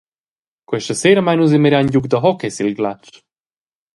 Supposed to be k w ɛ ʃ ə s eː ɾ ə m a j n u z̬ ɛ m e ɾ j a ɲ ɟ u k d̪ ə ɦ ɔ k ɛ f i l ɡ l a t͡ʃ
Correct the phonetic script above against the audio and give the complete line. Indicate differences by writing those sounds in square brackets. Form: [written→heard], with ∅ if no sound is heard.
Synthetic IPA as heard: k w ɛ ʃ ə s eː ɾ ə m a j n u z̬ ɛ m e ɾ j a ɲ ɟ u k d̪ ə ɦ ɔ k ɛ [f→s] i l ɡ l a t͡ʃ